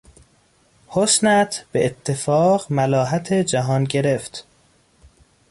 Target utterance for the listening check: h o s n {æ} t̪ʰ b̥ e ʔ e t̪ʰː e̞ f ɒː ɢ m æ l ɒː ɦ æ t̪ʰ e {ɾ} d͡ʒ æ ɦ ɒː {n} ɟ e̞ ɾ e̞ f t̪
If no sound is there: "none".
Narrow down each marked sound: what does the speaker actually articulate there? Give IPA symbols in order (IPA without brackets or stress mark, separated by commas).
æ, none, n